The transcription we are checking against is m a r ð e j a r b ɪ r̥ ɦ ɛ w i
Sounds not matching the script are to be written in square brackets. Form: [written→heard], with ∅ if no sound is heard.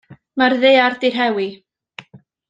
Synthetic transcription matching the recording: m a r ð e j a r [b→d] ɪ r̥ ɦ ɛ w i